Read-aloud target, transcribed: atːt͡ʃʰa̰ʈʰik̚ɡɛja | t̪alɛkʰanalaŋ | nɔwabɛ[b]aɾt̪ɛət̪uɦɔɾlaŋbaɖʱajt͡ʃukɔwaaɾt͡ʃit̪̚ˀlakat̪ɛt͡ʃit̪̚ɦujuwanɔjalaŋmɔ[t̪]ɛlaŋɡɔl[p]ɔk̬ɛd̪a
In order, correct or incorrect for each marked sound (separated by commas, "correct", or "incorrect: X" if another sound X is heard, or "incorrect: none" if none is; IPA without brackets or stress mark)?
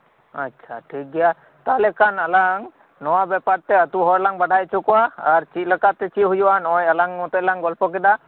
incorrect: p, correct, correct